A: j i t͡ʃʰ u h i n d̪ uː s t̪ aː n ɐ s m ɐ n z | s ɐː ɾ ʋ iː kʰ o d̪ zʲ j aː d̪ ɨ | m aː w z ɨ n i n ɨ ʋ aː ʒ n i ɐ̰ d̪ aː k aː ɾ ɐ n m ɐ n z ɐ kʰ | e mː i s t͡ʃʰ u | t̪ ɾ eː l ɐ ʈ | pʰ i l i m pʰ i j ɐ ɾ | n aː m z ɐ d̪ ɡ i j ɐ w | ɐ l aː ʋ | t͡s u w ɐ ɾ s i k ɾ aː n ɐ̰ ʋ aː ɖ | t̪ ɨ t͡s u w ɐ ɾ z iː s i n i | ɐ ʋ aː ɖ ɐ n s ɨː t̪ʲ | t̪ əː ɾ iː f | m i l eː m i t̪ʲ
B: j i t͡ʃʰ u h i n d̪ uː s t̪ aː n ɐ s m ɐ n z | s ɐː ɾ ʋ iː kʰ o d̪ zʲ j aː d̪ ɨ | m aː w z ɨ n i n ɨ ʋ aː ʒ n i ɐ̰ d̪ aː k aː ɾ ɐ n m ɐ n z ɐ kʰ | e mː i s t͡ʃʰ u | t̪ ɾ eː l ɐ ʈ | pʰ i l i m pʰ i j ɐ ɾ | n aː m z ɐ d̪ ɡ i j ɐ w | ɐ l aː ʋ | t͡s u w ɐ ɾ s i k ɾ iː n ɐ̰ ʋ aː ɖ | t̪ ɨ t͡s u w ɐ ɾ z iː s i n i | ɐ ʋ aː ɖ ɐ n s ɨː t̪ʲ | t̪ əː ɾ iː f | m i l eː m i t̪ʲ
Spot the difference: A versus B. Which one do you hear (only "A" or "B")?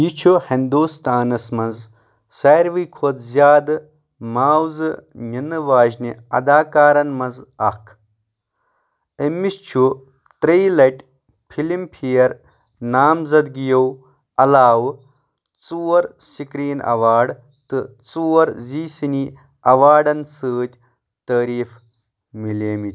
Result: B